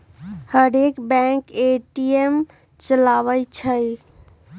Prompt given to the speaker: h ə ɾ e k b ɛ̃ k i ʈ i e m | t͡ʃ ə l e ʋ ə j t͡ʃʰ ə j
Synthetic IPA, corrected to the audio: h ə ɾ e k b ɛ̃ k e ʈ i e m | t͡ʃ ə l a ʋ ə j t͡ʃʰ ə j